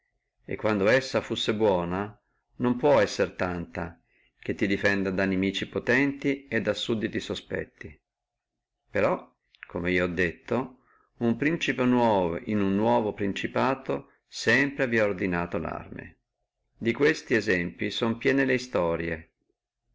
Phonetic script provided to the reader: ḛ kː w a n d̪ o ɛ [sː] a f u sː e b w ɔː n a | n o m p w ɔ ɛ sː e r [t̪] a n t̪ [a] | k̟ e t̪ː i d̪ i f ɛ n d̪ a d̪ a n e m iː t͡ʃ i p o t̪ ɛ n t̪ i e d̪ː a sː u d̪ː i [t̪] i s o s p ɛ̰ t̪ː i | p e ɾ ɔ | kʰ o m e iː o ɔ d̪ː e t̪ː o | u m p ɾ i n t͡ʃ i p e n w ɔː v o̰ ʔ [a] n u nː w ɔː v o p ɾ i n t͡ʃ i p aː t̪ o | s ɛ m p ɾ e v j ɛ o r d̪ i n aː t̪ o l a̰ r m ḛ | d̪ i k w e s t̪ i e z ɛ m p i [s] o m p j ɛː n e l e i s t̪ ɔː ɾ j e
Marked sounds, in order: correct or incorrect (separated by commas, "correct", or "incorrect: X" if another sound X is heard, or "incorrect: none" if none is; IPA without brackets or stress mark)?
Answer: correct, correct, correct, correct, incorrect: i, correct